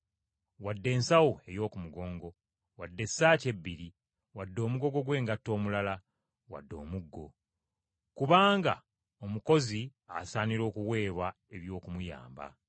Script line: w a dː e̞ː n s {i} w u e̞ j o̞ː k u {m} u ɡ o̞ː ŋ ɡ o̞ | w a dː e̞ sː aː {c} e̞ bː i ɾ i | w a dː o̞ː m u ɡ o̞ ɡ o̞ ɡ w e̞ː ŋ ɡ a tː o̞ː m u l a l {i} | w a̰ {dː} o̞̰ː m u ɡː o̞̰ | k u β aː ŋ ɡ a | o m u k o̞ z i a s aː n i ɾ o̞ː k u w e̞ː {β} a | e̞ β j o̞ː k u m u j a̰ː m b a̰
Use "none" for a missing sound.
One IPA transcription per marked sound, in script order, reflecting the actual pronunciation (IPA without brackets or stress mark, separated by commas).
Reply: a, m, c, a, dː, β